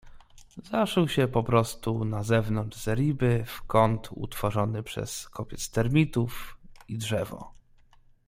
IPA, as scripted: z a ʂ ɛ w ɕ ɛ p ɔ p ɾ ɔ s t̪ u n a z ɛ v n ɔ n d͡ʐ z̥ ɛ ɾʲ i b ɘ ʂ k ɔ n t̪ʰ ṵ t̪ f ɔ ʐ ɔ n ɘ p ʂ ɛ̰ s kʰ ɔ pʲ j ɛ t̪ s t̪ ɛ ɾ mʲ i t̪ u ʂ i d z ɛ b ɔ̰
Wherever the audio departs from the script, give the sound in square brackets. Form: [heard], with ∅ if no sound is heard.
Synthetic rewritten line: z a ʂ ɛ w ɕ ɛ p ɔ p ɾ ɔ s t̪ u n a z ɛ v n ɔ n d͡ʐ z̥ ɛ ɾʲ i b ɘ [f] k ɔ n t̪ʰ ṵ t̪ f ɔ ʐ ɔ n ɘ p ʂ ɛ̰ s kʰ ɔ pʲ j ɛ t̪ s t̪ ɛ ɾ mʲ i t̪ u [f] i d [ʐ] ɛ [v] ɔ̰